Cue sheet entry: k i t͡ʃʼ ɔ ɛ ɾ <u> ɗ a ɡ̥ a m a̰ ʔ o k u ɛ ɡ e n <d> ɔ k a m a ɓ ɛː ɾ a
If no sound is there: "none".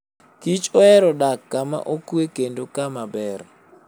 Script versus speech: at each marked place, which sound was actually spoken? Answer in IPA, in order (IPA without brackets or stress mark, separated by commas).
ɔ, d